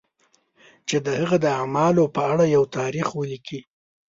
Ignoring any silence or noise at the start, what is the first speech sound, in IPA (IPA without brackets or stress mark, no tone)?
t͡ʃ